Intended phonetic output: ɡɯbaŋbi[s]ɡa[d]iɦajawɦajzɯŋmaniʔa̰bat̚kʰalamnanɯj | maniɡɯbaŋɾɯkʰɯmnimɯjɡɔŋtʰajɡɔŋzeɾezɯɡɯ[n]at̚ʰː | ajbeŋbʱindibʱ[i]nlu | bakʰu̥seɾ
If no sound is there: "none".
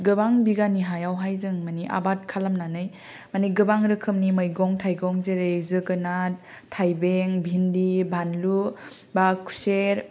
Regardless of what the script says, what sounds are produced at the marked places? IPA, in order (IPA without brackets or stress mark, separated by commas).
none, n, n, a